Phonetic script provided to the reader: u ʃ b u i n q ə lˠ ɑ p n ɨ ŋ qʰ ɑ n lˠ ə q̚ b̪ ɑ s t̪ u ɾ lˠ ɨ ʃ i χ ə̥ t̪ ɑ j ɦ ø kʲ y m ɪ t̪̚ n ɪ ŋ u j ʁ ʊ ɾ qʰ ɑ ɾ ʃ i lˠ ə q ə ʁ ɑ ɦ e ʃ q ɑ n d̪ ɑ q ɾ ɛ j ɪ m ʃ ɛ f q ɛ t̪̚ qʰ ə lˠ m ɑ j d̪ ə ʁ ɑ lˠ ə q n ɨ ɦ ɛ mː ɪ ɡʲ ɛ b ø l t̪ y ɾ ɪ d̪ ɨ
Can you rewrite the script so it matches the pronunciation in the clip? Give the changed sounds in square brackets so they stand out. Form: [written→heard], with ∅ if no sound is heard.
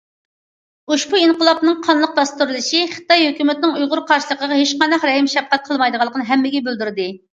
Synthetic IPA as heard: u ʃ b u i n q ə lˠ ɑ p n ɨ ŋ qʰ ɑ n lˠ ə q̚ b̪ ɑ s t̪ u ɾ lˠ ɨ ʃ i χ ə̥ t̪ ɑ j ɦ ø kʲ y m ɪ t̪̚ n ɪ ŋ u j ʁ ʊ ɾ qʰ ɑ ɾ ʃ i lˠ ə q ə ʁ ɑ ɦ e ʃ q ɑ n d̪ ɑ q ɾ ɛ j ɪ m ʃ ɛ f q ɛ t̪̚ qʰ ə lˠ m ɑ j d̪ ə ʁ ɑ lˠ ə q n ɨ ɦ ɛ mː ɪ ɡʲ ɛ b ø l [t̪→d̪] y ɾ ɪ d̪ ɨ

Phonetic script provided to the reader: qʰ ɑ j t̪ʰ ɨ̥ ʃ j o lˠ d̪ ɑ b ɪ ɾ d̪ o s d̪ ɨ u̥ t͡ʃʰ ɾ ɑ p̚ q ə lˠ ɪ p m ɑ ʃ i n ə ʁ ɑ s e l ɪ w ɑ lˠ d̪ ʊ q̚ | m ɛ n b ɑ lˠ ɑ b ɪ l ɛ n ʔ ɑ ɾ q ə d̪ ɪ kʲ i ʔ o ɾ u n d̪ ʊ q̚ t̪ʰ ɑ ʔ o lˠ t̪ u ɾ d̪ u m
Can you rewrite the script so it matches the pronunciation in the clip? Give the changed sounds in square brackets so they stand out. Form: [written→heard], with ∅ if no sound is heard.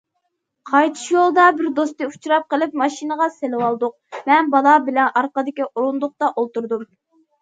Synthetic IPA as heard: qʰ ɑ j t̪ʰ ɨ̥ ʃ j o lˠ d̪ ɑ b ɪ ɾ d̪ o s [d̪→t̪] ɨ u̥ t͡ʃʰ ɾ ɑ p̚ q ə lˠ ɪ p m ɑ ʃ i n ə ʁ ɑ s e l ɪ w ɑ lˠ d̪ ʊ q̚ | m ɛ n b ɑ lˠ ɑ b ɪ l ɛ n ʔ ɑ ɾ q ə d̪ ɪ kʲ i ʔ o ɾ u n d̪ ʊ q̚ [t̪ʰ→t̪] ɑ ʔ o lˠ t̪ u ɾ d̪ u m

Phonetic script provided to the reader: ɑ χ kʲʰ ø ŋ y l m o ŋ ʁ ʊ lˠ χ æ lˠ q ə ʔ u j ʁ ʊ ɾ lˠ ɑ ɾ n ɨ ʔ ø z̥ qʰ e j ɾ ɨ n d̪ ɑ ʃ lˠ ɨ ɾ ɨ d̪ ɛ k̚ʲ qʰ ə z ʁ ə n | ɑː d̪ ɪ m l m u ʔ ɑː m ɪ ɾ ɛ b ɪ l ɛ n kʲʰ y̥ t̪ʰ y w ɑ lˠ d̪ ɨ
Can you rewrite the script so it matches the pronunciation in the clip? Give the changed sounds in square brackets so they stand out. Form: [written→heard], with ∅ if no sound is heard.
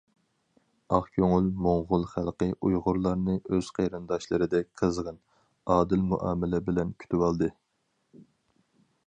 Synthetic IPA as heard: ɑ χ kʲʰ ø ŋ y l m o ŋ ʁ ʊ lˠ χ æ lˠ q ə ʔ u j ʁ ʊ ɾ lˠ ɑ ɾ n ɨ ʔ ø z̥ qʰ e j ɾ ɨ n d̪ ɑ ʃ lˠ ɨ ɾ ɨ d̪ ɛ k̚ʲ qʰ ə z ʁ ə n | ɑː d̪ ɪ [m→∅] l m u ʔ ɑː m ɪ [ɾ→l] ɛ b ɪ l ɛ n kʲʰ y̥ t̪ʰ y w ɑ lˠ d̪ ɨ

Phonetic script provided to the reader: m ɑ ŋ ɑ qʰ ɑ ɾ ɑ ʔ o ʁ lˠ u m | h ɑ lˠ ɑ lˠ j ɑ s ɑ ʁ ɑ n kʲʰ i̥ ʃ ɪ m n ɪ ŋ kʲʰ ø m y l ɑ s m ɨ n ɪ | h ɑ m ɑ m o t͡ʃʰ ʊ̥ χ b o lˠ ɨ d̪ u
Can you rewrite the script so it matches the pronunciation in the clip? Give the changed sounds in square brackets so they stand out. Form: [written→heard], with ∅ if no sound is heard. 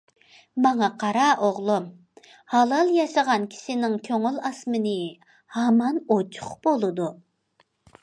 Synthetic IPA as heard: m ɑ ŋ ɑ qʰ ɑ ɾ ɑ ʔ o ʁ lˠ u m | h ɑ lˠ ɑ lˠ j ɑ [s→ʃ] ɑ ʁ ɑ n kʲʰ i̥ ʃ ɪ [m→∅] n ɪ ŋ kʲʰ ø [m→ŋ] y l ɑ s m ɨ n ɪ | h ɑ m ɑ [m→n] o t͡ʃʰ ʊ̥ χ b o lˠ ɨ d̪ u

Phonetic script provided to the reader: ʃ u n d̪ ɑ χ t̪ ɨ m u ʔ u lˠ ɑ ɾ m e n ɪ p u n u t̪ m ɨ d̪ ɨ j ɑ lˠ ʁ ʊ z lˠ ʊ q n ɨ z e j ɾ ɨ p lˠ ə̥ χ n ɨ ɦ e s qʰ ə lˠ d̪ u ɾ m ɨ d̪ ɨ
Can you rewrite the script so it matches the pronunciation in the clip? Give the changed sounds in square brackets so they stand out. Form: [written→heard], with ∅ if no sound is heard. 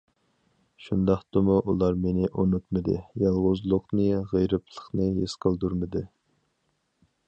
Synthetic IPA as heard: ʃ u n d̪ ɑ χ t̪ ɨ m u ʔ u lˠ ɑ ɾ m e n ɪ [p→ʔ] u n u t̪ m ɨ d̪ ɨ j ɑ lˠ ʁ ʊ z lˠ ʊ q n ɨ [z→ʁ] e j ɾ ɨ p lˠ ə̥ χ n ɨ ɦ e s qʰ ə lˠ d̪ u ɾ m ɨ d̪ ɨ

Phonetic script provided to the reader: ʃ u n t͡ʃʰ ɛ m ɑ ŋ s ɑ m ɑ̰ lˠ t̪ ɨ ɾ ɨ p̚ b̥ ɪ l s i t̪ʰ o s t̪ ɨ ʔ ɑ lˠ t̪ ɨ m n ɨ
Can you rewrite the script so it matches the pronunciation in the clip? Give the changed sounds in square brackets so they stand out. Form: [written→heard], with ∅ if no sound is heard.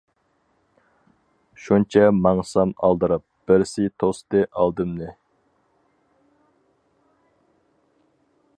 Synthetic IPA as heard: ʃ u n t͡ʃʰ ɛ m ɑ ŋ s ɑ m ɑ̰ lˠ [t̪→d̪] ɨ ɾ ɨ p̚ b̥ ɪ [l→ɾ] s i t̪ʰ o s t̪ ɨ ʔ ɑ lˠ [t̪→d̪] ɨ m n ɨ

